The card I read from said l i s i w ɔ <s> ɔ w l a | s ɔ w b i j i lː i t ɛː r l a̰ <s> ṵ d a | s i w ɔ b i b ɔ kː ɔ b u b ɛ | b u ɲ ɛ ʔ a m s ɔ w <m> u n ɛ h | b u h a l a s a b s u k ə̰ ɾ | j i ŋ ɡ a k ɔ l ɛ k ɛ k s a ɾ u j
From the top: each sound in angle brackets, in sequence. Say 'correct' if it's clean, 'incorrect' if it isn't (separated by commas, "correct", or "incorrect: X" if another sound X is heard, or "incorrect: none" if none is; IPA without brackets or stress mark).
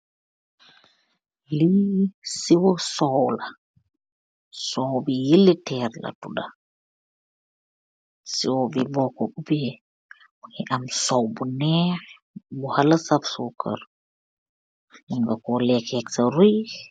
correct, incorrect: t, incorrect: b